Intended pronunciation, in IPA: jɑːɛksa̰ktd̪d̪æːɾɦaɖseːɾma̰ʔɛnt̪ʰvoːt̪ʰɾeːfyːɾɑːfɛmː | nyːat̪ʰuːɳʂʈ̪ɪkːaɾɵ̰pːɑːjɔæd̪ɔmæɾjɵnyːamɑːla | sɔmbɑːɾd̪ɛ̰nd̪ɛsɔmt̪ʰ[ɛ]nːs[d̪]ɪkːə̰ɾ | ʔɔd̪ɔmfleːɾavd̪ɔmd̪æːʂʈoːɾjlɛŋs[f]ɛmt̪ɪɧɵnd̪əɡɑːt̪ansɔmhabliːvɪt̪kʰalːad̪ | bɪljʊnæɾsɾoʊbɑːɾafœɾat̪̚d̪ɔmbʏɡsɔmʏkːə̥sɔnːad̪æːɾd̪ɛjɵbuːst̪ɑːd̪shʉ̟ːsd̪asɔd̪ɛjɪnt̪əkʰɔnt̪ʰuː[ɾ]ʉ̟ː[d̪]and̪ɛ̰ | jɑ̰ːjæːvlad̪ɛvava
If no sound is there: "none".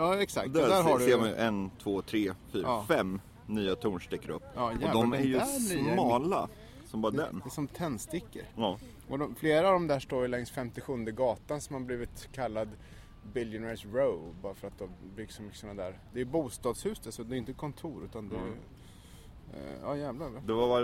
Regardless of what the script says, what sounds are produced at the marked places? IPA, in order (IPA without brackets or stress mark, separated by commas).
ɛ, t̪, f, ɾ, t̪